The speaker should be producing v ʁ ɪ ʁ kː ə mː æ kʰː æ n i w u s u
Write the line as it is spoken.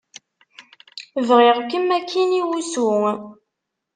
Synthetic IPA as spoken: v ʁ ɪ ʁ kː ə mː æ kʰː i n i w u s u